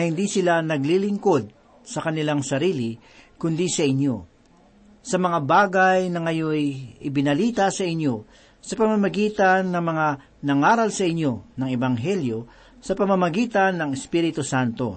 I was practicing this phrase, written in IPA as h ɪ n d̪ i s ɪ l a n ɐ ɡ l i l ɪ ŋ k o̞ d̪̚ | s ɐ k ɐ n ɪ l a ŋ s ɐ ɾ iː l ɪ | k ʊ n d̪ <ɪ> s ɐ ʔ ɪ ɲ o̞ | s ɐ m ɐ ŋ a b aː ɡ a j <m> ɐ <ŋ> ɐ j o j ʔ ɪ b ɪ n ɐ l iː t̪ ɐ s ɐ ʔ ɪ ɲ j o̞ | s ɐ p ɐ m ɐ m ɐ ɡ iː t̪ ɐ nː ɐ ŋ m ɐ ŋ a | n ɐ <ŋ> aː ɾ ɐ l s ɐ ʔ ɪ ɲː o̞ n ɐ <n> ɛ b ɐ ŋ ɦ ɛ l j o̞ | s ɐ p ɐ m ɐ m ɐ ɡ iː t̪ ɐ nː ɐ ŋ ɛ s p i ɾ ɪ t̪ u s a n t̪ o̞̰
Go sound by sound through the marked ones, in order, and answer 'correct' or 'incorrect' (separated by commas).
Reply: incorrect, incorrect, correct, correct, incorrect